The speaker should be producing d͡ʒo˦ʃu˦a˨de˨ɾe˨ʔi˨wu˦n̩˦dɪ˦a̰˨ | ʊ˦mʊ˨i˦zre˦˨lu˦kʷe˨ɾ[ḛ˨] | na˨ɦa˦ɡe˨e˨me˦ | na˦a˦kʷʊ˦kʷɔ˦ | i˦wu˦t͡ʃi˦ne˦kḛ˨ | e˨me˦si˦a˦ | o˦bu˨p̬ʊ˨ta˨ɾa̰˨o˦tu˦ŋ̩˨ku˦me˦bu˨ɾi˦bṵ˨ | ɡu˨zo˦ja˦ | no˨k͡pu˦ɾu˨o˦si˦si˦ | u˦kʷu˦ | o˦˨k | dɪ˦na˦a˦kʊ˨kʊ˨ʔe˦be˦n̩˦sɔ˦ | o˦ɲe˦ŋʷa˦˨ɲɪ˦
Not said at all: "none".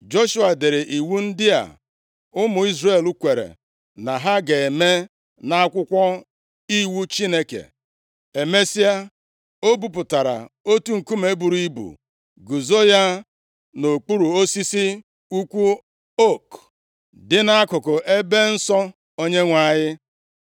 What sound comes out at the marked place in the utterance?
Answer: ḛ˨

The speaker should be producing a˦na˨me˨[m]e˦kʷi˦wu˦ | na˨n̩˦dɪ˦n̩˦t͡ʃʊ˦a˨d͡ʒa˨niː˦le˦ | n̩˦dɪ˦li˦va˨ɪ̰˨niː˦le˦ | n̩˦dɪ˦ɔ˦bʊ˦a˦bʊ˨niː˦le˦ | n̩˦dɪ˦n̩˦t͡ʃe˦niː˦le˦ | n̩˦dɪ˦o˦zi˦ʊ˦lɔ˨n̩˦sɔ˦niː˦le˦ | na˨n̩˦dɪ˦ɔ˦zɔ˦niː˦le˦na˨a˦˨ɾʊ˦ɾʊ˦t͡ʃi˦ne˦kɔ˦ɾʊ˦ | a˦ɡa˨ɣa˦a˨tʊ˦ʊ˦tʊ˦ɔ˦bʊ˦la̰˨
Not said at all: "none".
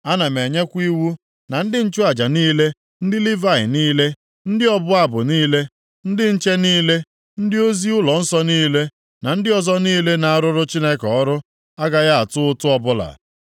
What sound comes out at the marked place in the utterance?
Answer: ɲ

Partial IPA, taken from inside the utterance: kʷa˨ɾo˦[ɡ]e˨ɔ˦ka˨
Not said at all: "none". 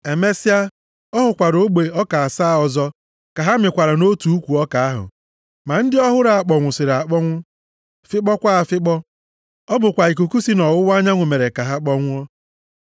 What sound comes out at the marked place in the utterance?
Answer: ɡ͡b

